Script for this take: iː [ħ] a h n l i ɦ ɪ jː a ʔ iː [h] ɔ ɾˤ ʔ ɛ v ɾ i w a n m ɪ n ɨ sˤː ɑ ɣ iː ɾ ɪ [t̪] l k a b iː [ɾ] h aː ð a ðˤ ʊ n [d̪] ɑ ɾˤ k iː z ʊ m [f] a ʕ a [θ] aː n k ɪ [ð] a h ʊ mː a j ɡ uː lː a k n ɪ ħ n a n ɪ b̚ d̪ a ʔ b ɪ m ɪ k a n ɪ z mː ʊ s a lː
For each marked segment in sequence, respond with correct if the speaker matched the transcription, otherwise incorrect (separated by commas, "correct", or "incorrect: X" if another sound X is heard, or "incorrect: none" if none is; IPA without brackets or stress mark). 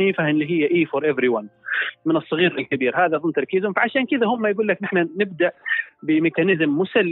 incorrect: f, incorrect: f, incorrect: none, correct, incorrect: t̪, correct, incorrect: ʃ, correct